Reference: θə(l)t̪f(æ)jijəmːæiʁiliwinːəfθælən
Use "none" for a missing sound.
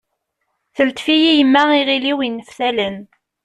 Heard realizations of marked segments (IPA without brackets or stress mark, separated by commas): l, i